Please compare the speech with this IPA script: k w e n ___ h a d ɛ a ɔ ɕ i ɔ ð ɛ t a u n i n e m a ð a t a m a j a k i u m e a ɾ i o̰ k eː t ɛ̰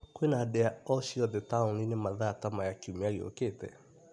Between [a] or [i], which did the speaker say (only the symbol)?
a